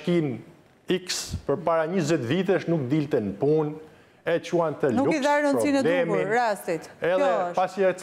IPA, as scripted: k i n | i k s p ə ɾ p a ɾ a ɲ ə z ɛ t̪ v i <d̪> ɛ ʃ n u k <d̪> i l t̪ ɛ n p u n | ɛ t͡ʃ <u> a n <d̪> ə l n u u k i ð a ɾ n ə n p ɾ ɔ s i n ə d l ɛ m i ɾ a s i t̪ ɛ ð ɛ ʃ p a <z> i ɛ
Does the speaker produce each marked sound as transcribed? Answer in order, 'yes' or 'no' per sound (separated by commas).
no, yes, yes, no, no